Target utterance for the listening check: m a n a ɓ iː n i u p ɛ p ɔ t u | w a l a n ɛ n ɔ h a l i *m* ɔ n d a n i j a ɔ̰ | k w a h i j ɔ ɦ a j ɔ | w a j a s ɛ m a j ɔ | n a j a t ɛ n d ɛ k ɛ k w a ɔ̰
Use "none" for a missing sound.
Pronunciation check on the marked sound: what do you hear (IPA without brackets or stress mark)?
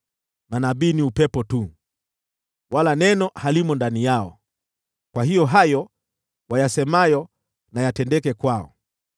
m